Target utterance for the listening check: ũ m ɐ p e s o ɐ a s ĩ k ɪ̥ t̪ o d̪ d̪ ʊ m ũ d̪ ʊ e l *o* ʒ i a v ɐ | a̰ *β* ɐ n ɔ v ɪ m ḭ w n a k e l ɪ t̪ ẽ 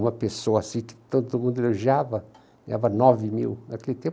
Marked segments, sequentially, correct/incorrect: correct, incorrect: v

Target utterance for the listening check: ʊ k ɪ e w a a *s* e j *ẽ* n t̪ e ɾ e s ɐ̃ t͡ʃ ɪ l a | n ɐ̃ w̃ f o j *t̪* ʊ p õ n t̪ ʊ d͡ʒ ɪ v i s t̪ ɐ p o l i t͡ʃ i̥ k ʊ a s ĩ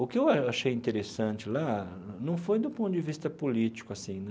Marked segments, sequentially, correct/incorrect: incorrect: ʃ, incorrect: ĩ, incorrect: d̪

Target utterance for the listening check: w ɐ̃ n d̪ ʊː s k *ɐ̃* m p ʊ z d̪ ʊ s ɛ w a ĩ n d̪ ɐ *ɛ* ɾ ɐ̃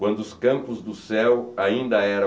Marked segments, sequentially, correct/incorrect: correct, correct

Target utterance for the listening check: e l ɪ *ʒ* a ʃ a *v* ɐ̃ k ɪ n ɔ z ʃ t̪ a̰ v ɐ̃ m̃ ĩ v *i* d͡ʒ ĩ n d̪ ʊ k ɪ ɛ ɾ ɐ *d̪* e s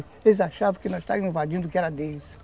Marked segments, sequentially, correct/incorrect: incorrect: z, correct, incorrect: a, correct

